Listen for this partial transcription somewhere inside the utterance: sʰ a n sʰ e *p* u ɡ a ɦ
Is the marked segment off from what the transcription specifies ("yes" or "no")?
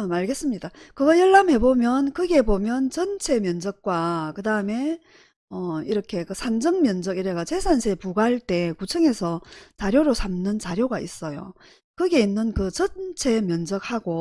no